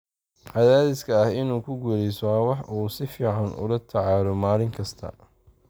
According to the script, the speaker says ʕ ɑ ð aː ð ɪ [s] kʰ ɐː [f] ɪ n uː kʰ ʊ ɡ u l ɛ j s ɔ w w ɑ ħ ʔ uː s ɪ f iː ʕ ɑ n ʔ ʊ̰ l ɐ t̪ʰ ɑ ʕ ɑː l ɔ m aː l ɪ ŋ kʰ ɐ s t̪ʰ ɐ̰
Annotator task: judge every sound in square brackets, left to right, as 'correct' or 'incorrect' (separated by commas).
correct, incorrect